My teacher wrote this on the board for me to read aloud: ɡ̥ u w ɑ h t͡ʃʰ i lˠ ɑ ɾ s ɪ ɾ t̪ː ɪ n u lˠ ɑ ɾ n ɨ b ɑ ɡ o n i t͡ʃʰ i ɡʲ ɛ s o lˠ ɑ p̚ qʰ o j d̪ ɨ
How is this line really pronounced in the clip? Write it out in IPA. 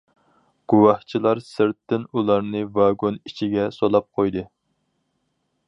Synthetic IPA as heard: ɡ̥ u w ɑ h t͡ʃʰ i lˠ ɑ ɾ s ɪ ɾ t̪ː ɪ n u lˠ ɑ ɾ n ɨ v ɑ ɡ o n i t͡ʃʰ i ɡʲ ɛ s o lˠ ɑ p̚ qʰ o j d̪ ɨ